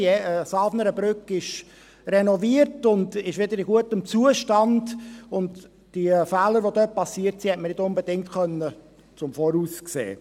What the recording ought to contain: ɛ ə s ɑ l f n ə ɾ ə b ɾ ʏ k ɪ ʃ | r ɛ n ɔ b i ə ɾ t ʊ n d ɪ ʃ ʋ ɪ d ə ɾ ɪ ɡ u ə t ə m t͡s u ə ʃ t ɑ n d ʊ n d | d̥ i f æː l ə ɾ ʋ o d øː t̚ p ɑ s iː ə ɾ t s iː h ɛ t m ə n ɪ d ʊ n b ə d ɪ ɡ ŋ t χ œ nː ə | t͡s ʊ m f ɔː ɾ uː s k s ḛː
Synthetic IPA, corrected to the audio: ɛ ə s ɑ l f n ə ɾ ə b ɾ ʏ k ɪ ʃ | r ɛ n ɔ v i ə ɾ t ʊ n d ɪ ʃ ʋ ɪ d ə ɾ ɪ ɡ u ə t ə m t͡s u ə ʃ t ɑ n d ʊ n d | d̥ i f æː l ə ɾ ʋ o d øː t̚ p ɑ s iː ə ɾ t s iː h ɛ t m ə n ɪ d ʊ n b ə d ɪ ŋ t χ œ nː ə | t͡s ʊ m f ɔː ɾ uː s k s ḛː